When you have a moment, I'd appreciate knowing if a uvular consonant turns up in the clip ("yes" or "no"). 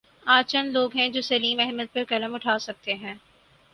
no